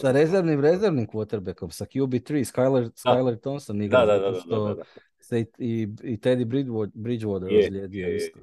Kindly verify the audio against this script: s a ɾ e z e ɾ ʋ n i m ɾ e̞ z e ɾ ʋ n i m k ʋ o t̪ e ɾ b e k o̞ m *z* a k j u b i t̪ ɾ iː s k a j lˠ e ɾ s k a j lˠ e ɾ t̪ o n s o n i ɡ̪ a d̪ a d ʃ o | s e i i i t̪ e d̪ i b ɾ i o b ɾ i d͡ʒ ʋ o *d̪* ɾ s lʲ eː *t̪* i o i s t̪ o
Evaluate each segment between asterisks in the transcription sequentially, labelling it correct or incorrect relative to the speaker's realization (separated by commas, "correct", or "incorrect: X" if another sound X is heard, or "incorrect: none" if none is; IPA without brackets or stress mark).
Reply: incorrect: s, correct, incorrect: d̪